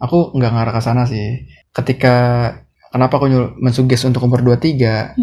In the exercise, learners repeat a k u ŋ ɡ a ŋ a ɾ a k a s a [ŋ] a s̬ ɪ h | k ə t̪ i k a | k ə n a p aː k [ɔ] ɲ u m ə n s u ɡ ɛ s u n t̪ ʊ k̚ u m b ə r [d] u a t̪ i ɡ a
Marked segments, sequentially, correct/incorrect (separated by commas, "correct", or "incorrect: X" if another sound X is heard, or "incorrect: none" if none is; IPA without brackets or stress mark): incorrect: n, incorrect: u, correct